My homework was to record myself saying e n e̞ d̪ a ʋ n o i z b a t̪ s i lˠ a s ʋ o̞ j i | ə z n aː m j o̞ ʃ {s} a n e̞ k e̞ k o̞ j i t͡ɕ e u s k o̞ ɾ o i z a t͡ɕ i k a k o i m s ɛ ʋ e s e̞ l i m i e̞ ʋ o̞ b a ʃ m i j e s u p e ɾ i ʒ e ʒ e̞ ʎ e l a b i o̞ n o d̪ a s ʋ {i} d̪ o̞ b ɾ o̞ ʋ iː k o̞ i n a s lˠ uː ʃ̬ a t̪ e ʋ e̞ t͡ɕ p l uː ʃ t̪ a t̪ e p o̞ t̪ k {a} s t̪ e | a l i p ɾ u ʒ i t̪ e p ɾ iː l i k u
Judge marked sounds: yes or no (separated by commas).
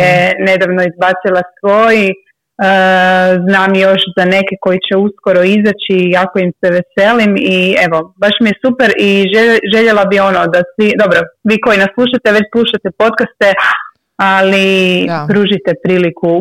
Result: no, yes, yes